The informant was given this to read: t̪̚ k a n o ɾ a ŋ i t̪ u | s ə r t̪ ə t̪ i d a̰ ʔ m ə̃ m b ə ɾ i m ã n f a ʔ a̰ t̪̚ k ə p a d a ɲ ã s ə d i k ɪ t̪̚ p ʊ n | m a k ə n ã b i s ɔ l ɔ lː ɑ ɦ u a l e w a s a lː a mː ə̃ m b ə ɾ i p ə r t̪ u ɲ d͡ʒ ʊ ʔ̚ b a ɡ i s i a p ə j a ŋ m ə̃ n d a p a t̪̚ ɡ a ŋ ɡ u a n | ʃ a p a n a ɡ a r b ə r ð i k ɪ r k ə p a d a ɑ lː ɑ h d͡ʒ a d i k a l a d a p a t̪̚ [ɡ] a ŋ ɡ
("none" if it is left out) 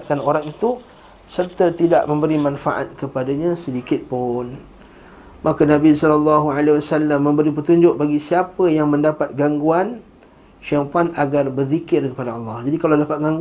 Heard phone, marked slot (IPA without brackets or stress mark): ɡ